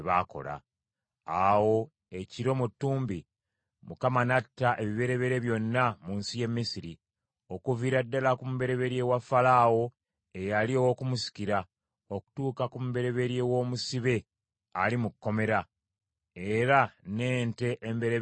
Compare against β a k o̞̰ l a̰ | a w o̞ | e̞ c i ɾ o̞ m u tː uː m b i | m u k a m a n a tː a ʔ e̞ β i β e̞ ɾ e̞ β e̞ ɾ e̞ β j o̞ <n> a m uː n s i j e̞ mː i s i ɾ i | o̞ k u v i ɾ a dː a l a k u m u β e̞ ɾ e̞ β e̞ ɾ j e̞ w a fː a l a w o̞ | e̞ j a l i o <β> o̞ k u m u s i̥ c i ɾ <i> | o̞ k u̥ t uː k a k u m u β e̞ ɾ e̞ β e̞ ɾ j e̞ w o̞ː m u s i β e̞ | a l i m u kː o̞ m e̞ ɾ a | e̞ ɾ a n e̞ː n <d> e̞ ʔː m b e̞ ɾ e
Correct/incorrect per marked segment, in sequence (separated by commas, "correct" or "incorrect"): incorrect, incorrect, incorrect, incorrect